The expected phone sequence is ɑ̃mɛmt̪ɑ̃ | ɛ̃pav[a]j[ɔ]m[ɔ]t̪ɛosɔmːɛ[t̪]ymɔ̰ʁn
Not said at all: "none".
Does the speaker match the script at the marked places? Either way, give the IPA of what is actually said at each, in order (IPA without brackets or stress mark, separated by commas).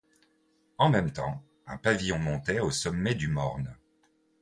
i, ɔ̃, ɔ̃, d̪